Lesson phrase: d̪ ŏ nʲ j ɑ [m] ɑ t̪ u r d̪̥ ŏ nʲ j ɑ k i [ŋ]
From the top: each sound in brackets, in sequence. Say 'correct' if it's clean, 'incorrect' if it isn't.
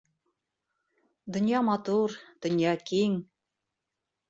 correct, correct

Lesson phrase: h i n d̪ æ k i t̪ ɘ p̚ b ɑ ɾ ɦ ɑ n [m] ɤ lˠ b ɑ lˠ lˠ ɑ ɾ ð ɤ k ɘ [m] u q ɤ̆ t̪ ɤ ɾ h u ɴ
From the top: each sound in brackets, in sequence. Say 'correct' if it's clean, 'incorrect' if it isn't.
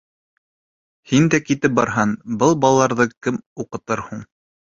incorrect, correct

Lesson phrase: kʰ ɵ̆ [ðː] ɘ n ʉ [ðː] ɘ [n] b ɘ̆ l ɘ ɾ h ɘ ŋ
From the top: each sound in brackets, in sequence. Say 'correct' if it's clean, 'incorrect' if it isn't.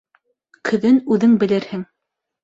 incorrect, incorrect, incorrect

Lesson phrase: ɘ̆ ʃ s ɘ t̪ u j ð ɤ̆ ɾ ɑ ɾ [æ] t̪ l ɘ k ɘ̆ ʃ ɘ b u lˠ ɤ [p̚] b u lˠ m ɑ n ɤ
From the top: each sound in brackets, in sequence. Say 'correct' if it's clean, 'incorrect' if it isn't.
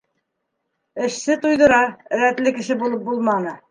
correct, correct

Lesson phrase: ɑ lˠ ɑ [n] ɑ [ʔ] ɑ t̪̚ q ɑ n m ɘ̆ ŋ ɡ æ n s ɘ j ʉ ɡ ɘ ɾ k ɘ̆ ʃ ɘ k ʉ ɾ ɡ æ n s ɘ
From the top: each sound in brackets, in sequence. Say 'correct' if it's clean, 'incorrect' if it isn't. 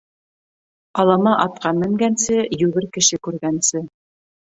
incorrect, correct

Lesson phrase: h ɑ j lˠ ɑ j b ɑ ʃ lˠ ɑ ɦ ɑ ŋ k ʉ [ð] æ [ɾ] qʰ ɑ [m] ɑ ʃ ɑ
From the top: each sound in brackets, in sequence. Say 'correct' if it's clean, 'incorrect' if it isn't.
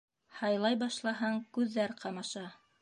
incorrect, correct, correct

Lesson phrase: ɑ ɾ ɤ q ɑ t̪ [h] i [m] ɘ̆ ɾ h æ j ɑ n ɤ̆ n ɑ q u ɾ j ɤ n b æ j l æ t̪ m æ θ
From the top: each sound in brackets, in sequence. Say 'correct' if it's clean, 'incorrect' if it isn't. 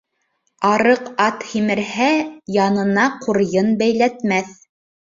correct, correct

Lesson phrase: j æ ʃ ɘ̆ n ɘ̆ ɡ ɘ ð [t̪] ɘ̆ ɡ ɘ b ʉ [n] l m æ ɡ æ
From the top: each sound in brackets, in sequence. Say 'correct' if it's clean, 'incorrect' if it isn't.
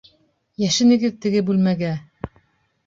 correct, incorrect

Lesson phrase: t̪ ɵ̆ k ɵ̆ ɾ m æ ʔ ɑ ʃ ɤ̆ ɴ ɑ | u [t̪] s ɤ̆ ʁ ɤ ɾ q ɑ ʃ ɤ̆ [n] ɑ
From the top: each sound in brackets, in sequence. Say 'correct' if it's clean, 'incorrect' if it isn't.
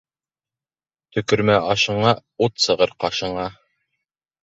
correct, incorrect

